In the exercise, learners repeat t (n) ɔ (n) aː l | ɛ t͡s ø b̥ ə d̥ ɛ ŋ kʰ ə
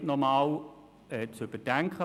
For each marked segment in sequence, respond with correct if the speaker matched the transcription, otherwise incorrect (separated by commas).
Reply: correct, incorrect